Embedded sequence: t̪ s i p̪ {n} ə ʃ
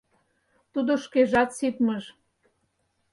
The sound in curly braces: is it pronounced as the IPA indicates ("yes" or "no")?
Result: no